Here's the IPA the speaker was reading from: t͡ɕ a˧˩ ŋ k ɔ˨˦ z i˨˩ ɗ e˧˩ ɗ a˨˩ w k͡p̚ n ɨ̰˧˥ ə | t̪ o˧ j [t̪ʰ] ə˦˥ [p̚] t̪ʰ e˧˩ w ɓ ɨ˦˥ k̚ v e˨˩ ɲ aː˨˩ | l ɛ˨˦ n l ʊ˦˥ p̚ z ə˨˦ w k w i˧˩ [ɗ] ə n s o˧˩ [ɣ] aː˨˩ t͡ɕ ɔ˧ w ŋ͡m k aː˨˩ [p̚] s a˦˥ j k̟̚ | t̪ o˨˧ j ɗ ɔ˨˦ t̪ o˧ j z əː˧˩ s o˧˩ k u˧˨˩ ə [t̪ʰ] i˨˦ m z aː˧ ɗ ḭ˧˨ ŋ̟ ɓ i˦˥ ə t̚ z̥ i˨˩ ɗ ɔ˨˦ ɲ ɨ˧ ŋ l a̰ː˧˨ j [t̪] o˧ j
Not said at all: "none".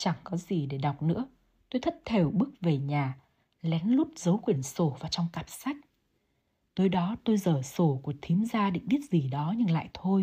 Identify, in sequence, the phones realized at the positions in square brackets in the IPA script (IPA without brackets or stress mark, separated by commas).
t̪ʰ, t̚, none, v, p̚, t̪ʰ, t̪ʰ